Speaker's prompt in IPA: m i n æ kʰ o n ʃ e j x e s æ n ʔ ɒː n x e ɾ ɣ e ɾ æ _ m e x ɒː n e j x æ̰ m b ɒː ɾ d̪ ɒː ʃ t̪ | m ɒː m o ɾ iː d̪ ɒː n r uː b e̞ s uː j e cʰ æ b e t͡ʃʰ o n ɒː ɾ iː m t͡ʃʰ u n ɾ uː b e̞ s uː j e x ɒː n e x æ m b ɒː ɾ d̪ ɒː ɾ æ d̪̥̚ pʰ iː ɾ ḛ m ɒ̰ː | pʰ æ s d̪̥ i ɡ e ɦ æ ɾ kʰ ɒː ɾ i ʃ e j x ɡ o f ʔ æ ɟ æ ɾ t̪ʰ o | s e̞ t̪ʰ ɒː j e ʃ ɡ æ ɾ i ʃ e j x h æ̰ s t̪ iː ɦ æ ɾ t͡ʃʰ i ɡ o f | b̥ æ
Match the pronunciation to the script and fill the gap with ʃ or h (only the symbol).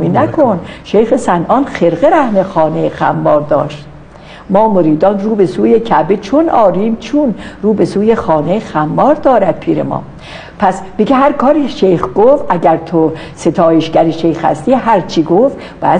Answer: h